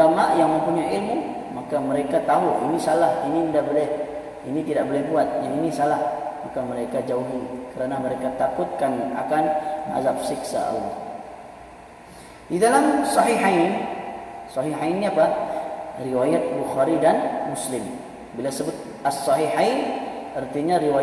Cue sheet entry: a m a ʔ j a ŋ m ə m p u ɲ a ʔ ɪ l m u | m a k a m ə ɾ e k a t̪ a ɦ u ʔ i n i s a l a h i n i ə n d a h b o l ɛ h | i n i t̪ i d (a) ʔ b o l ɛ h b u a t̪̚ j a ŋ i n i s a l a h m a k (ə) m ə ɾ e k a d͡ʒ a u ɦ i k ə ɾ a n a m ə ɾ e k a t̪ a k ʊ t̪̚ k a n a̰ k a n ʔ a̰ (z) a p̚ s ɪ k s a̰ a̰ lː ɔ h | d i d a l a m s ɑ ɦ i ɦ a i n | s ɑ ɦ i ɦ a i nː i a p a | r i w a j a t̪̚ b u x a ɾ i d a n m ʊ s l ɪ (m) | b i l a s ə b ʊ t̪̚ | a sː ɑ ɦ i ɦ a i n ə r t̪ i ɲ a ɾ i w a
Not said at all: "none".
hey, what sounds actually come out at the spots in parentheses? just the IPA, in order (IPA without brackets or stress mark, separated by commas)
a, a, z, m